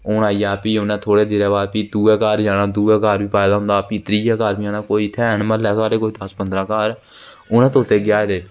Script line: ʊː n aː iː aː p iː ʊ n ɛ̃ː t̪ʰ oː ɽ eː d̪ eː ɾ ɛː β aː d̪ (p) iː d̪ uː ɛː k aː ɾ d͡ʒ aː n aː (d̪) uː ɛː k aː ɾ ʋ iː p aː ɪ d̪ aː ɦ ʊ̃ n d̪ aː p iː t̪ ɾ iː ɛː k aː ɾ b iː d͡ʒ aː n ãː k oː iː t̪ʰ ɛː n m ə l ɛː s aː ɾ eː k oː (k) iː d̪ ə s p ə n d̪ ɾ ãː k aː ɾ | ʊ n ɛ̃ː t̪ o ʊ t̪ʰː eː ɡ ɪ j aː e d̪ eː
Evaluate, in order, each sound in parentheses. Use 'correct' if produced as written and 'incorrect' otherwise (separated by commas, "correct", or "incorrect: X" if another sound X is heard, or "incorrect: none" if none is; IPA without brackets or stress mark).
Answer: correct, correct, incorrect: none